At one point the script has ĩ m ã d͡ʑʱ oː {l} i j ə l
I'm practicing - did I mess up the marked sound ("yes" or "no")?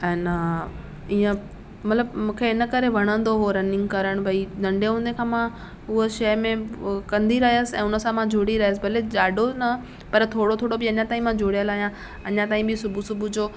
yes